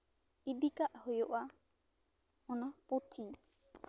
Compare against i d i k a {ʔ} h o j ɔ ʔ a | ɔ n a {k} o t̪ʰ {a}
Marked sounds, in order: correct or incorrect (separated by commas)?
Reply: correct, incorrect, incorrect